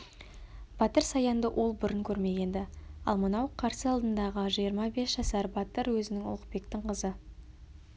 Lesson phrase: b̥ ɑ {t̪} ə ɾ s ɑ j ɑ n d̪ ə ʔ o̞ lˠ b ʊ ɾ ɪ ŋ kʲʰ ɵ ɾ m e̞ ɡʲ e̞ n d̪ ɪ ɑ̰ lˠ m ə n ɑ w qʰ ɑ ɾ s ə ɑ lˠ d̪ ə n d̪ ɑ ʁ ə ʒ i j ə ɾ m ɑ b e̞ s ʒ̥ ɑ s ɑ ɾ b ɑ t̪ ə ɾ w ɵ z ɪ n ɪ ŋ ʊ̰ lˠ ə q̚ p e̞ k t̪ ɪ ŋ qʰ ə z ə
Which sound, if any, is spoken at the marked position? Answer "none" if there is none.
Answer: t̪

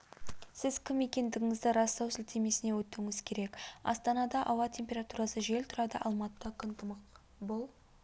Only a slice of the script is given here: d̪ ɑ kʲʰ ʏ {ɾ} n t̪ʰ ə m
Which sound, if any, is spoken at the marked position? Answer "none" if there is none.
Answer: none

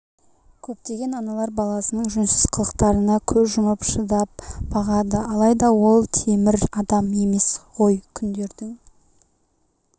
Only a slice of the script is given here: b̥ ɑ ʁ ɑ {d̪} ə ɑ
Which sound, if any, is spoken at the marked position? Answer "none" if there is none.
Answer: d̪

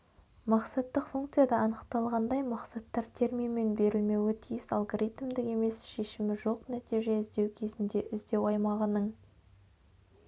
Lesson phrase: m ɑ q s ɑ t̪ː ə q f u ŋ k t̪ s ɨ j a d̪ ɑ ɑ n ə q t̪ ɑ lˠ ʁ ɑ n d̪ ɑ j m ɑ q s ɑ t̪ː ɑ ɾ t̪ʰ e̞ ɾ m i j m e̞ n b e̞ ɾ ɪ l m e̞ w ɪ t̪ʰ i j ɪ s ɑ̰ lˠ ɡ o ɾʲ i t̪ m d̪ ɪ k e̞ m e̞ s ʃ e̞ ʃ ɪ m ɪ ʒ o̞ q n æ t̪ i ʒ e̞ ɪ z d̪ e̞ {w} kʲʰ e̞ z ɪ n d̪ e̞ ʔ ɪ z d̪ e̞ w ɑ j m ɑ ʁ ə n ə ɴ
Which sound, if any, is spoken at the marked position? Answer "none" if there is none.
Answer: w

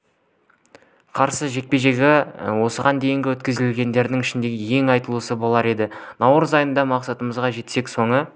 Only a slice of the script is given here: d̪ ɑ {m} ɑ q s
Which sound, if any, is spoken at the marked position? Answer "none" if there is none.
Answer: m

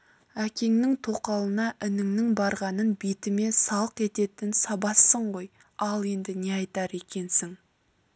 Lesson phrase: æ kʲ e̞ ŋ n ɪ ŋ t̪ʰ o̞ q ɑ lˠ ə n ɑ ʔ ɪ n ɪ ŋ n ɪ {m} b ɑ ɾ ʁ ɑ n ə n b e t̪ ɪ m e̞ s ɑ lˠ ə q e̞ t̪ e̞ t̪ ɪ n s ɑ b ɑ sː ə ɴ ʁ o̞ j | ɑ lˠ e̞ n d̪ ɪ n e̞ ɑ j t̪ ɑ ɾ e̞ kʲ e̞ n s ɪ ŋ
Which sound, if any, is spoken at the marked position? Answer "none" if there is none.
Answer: ŋ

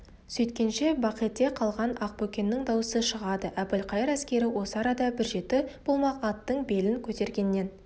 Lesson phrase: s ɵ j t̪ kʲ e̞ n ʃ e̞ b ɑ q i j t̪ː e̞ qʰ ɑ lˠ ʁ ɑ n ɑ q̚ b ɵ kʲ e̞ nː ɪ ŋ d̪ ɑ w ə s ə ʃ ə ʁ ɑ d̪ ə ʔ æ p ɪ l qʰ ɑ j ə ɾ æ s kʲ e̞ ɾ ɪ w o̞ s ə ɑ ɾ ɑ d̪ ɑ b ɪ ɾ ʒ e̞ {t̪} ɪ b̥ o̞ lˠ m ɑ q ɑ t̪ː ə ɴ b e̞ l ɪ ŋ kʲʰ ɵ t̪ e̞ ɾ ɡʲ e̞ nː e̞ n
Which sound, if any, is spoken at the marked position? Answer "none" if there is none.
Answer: t̪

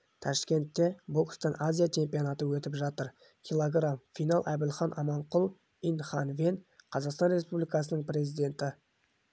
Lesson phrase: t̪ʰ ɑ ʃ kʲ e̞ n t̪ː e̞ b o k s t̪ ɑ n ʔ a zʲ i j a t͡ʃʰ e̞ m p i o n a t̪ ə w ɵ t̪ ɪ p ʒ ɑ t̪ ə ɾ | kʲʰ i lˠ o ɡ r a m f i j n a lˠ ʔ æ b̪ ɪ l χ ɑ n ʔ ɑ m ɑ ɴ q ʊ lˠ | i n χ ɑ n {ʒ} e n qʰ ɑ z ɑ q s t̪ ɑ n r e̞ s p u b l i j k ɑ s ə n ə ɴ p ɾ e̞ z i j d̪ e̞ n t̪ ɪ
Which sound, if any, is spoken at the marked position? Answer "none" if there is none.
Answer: v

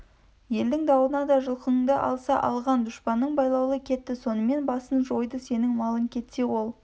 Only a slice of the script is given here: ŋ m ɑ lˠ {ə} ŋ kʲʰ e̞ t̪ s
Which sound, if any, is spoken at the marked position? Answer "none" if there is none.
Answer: ə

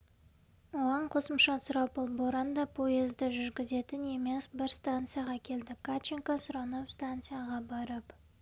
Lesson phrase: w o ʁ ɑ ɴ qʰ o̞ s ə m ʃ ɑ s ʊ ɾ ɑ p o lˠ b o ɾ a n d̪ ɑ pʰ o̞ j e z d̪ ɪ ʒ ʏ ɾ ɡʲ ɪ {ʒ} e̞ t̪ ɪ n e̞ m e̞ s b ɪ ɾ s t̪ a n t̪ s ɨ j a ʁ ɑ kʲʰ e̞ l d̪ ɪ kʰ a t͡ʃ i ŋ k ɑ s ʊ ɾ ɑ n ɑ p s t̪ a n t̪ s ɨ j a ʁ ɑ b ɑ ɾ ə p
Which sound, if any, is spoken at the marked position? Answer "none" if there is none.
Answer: z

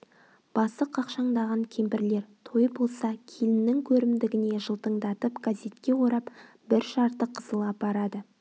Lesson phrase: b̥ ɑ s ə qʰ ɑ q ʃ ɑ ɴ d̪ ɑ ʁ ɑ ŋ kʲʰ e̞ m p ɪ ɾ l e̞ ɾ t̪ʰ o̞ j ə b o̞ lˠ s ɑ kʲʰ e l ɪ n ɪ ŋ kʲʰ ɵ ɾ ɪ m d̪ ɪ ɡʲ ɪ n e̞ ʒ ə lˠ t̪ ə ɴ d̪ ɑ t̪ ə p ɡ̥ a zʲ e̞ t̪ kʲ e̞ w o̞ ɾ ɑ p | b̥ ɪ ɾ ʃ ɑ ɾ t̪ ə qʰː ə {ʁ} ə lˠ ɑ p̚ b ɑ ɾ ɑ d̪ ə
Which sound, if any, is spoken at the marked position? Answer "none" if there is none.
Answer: z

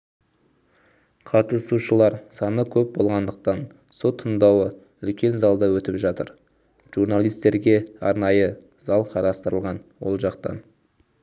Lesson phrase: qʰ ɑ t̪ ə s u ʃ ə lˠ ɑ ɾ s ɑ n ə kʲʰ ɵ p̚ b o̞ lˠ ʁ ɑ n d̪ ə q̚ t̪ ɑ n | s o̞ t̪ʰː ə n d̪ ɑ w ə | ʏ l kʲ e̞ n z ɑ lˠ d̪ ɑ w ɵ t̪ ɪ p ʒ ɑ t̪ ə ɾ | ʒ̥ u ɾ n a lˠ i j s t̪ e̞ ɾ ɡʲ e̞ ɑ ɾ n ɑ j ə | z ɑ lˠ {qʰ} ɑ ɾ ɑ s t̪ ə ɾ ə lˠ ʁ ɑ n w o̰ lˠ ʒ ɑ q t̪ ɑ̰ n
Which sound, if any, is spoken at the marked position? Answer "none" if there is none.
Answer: qʰ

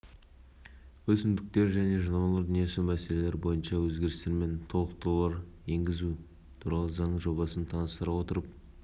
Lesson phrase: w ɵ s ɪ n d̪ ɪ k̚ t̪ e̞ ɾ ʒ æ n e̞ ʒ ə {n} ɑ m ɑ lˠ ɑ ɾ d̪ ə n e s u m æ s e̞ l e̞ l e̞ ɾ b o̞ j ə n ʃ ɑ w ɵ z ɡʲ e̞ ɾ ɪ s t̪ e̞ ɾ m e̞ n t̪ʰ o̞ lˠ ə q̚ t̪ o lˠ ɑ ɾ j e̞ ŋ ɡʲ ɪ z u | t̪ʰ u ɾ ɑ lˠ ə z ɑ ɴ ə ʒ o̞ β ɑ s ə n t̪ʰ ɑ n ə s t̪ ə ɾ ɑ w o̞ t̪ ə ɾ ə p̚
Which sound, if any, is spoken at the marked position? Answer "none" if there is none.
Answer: n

